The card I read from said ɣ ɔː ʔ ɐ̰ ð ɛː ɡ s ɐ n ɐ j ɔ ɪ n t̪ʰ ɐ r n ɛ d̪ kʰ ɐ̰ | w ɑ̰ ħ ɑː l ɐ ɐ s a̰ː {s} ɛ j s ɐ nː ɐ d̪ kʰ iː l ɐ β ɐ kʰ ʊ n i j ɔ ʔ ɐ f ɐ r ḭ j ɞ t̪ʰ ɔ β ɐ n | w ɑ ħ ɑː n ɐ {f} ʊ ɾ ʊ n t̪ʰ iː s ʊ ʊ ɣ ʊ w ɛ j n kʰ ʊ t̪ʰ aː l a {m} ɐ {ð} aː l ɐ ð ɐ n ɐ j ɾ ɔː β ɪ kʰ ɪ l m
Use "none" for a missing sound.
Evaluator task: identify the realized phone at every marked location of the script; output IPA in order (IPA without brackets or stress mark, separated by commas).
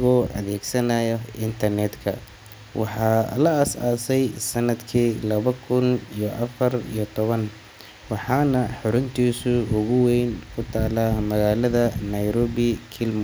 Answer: s, ħ, m, ɣ